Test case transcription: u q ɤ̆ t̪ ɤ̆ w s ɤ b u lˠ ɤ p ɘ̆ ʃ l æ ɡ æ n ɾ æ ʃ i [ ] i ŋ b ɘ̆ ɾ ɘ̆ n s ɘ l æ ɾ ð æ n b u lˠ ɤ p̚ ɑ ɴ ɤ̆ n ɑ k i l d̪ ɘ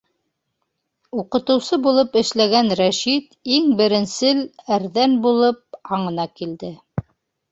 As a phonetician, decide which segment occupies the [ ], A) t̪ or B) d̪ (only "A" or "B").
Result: A